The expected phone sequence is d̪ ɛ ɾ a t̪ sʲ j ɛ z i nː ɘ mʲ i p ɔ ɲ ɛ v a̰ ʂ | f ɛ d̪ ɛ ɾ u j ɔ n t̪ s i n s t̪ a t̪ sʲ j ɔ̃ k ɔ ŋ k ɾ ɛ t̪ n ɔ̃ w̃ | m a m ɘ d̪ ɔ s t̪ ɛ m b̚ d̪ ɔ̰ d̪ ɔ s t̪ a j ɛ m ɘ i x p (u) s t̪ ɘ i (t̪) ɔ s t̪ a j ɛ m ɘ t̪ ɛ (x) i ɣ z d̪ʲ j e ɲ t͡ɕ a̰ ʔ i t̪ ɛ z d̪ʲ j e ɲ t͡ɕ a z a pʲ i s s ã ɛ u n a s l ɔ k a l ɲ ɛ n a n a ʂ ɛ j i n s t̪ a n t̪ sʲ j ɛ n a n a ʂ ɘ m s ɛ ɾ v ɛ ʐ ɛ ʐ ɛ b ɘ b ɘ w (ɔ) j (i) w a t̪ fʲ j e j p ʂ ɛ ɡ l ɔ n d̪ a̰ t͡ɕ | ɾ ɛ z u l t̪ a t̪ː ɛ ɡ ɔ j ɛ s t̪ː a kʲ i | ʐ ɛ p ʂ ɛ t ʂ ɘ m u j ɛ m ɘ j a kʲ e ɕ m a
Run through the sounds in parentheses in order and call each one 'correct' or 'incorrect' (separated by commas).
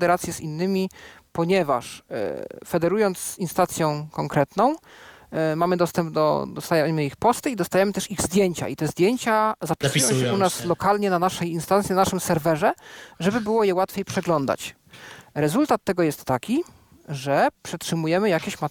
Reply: incorrect, incorrect, incorrect, correct, incorrect